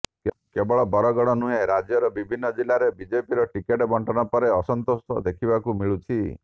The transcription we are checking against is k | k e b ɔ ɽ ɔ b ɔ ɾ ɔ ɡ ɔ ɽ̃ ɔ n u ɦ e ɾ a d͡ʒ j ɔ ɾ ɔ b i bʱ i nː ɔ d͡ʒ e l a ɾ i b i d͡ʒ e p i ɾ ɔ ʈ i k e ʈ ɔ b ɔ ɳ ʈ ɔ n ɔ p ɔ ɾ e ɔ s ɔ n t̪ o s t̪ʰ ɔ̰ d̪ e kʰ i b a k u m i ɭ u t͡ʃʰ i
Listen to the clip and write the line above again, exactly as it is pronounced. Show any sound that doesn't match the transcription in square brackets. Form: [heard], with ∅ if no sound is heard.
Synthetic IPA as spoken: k | k e b ɔ [ɭ] ɔ b ɔ ɾ ɔ ɡ ɔ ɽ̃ ɔ n u ɦ e ɾ a d͡ʒ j ɔ ɾ ɔ b i bʱ i nː ɔ d͡ʒ [i] l a ɾ [e] b i d͡ʒ e p i ɾ ɔ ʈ i k e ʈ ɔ b ɔ ɳ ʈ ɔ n ɔ p ɔ ɾ e ɔ s ɔ n t̪ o s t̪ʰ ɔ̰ d̪ e kʰ i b a k u m i ɭ u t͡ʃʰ i

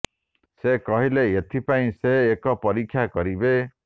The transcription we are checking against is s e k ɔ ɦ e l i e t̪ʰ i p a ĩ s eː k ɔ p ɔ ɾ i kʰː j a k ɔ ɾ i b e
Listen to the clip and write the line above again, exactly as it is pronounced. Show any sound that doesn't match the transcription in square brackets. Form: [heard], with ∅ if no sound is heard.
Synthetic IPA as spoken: s e k ɔ ɦ [i] l [e] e t̪ʰ i p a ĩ s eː k ɔ p ɔ ɾ i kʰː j a k ɔ ɾ i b e

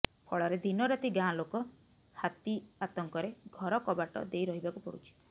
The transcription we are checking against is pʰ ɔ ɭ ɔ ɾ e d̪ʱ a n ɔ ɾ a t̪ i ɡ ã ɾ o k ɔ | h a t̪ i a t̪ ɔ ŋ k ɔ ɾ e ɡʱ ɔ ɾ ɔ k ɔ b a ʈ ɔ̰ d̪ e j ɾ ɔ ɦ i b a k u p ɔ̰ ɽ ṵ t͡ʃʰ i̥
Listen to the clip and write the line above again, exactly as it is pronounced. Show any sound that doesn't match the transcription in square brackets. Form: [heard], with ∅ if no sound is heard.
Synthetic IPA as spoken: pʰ ɔ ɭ ɔ ɾ e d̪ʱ [i] n ɔ ɾ a t̪ i ɡ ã [l] o k ɔ | h a t̪ i a t̪ ɔ ŋ k ɔ ɾ e ɡʱ ɔ ɾ ɔ k ɔ b a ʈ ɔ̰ d̪ e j ɾ ɔ ɦ i b a k u p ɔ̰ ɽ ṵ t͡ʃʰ i̥

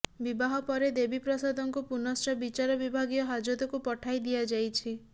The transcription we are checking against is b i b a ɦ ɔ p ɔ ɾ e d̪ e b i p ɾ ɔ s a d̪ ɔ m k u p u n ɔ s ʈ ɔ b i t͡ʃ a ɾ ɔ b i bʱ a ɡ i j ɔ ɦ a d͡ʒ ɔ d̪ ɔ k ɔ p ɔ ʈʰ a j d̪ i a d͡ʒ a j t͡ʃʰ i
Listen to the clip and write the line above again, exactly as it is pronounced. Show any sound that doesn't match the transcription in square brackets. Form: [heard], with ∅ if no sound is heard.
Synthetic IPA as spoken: b i b a ɦ ɔ p ɔ ɾ e d̪ e b i p ɾ ɔ s a d̪ ɔ [ŋ] k u p u n ɔ s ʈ ɔ b i t͡ʃ a ɾ ɔ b i bʱ a ɡ i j ɔ ɦ a d͡ʒ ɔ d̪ ɔ k [u] p ɔ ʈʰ a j d̪ i a d͡ʒ a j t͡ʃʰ i

